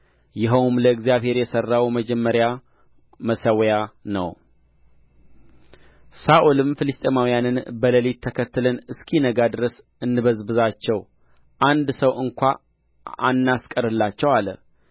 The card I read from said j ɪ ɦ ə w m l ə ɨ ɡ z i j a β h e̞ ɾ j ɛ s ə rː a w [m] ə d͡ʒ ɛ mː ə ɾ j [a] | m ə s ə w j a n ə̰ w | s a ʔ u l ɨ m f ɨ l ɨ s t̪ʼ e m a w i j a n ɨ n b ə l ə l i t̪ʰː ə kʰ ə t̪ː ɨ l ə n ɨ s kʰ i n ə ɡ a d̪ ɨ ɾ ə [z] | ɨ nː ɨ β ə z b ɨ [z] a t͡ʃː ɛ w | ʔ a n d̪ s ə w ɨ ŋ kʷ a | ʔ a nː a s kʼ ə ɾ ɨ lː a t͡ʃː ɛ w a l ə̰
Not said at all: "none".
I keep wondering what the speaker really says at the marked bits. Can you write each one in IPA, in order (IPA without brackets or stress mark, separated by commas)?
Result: m, a, s, z